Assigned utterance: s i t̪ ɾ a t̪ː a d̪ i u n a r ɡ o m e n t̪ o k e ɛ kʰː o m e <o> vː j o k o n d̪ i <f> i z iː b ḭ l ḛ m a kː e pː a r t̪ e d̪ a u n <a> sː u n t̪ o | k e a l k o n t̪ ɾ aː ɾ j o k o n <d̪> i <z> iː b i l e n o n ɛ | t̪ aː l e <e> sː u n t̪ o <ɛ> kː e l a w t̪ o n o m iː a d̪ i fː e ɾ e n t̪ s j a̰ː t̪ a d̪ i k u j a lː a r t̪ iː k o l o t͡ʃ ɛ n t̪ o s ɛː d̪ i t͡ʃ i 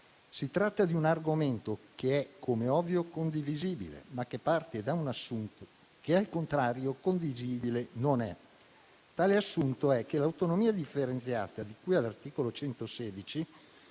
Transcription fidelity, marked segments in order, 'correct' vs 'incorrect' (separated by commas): incorrect, incorrect, correct, correct, correct, incorrect, correct